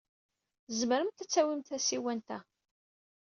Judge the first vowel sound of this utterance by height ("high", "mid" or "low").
mid